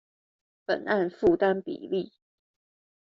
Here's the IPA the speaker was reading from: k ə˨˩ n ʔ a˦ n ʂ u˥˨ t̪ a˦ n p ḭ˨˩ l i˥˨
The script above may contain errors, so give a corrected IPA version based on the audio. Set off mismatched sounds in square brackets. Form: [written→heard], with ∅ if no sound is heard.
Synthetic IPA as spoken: [k→p] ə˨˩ n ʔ [a˦→a˥˨] n [ʂ→f] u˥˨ t̪ a˦ n p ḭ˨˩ l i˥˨